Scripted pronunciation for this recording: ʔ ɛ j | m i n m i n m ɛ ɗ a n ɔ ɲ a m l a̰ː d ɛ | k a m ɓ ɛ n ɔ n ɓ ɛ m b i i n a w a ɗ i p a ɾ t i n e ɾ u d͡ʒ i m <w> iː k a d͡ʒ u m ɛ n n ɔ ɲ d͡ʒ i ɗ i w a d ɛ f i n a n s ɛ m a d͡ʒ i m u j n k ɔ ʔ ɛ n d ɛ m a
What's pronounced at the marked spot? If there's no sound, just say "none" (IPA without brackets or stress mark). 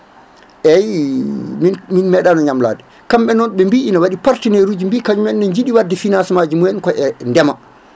b